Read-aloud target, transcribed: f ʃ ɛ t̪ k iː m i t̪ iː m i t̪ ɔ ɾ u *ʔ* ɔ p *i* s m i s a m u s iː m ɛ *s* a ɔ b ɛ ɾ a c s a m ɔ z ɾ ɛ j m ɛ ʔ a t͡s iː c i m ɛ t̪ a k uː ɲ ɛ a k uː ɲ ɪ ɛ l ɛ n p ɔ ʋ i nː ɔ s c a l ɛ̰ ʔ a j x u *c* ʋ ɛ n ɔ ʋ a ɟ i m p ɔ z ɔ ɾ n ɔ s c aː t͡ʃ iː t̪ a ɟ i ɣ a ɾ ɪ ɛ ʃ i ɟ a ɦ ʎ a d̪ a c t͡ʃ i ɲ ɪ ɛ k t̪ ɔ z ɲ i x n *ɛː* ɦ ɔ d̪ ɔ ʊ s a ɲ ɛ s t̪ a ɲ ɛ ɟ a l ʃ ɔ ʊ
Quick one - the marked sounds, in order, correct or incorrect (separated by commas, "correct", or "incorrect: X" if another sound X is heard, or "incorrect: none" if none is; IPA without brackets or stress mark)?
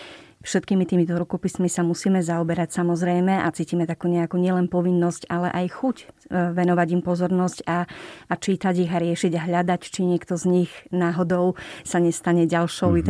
incorrect: k, correct, incorrect: z, correct, incorrect: aː